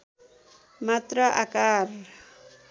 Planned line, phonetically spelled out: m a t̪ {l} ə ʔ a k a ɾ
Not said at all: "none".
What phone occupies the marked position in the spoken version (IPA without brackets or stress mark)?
ɾ